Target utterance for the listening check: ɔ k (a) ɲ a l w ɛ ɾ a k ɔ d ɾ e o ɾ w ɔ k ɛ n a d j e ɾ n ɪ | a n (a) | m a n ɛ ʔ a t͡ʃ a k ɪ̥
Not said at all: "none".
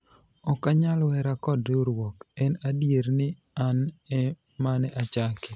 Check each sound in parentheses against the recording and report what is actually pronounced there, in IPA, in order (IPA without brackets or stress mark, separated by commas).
a, ɛ